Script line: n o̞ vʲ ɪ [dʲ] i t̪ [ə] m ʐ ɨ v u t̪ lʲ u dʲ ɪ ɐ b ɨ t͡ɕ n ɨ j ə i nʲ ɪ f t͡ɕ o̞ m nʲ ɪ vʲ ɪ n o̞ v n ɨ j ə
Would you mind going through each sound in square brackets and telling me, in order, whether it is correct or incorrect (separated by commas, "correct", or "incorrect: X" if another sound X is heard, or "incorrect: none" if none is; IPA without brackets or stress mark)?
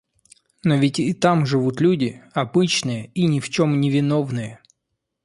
incorrect: tʲ, incorrect: a